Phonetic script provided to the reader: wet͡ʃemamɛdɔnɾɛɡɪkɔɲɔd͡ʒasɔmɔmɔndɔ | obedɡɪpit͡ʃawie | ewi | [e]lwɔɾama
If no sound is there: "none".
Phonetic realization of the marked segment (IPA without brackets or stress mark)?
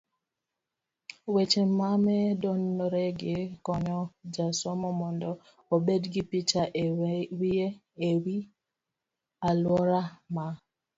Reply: a